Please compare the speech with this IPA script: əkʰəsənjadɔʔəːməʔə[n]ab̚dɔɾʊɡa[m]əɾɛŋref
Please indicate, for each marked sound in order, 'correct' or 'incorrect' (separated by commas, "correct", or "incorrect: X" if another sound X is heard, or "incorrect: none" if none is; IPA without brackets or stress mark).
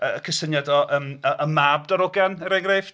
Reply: incorrect: m, incorrect: n